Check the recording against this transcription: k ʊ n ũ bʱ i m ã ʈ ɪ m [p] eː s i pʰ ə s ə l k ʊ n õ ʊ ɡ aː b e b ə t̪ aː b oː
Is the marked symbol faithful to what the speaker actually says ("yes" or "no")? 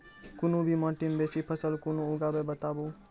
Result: no